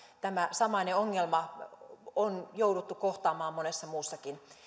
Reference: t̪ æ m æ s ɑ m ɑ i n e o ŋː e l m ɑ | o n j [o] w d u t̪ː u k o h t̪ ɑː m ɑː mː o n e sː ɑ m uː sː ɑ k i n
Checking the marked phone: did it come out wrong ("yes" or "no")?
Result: no